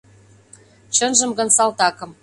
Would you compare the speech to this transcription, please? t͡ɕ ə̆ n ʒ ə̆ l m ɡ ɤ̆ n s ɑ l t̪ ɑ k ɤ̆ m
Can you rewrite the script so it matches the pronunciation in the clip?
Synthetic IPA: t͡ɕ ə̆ n ʒ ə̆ m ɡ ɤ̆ n s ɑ l t̪ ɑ k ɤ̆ m

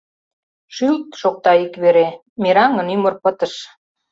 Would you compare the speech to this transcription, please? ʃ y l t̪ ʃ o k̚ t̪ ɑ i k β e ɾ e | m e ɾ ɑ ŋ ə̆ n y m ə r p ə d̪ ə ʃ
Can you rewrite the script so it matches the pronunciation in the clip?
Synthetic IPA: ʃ y l t̪ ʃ o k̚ t̪ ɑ i k β e ɾ e | m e ɾ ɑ ŋ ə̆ n y m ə r p ə t̪ ə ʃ

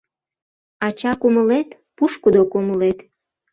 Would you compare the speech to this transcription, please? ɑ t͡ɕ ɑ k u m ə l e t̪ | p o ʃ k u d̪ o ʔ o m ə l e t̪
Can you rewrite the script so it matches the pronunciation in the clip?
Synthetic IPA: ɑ t͡ɕ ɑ k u m ə l e t̪ | p u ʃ k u d̪ o k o m ə l e t̪

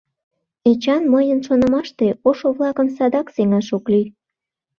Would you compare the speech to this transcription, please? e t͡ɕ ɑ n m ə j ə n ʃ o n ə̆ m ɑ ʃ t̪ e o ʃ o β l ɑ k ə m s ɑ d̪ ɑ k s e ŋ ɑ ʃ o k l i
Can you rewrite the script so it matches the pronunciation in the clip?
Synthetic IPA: e t͡ɕ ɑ n m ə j ə n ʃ o n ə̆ m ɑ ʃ t̪ e o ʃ o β l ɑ k ə m s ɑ d̪ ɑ k s e ŋ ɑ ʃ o k l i

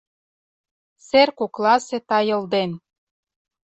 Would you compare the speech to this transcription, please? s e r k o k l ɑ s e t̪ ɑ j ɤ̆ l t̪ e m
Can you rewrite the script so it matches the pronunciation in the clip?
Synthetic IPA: s e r k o k l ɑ s e t̪ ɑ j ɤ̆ l d̪ e n

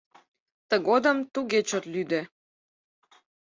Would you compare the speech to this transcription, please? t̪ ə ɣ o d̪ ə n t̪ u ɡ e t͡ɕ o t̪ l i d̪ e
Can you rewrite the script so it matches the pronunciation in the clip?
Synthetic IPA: t̪ ə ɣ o d̪ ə m t̪ u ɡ e t͡ɕ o t̪ l y d̪ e

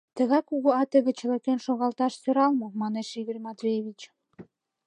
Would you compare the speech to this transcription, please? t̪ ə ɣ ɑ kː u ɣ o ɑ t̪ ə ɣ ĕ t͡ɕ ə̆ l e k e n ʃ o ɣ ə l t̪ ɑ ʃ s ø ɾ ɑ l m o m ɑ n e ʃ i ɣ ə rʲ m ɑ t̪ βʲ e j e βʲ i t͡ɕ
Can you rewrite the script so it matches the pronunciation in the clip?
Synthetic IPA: t̪ ə ɣ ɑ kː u ɣ o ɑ t̪ ə ɣ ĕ t͡ɕ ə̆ l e k e n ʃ o ɣ ɑ l t̪ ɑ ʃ s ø ɾ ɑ l m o m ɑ n e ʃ i ɣ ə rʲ m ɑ t̪ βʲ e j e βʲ i t͡ɕ

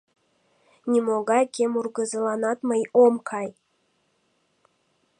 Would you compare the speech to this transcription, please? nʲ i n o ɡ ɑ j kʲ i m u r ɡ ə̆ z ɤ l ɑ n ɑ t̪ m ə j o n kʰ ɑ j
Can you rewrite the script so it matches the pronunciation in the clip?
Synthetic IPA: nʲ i m o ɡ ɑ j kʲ e m u r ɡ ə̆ z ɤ l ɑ n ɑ t̪ m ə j o m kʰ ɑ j

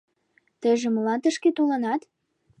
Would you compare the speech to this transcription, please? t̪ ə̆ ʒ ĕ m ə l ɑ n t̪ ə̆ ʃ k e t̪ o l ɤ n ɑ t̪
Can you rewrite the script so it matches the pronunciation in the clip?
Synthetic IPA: t̪ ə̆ ʒ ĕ m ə l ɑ n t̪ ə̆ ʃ k e t̪ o l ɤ n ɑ t̪

